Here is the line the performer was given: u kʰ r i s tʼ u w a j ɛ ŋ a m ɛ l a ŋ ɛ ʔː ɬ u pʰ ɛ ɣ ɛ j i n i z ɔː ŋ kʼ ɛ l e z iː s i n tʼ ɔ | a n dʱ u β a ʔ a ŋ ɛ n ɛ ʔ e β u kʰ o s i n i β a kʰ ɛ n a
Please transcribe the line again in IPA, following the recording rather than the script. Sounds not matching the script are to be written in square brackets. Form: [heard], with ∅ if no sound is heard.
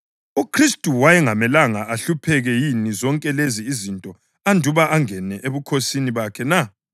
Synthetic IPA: u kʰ r i s tʼ u w a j ɛ ŋ a m ɛ l a ŋ [a] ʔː ɬ u pʰ ɛ ɣ ɛ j i n i z [ɔ] ŋ kʼ ɛ l e z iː [z] i n tʼ ɔ | a n dʱ u β a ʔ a ŋ ɛ n ɛ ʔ e β u kʰ o s i n i β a kʰ ɛ n a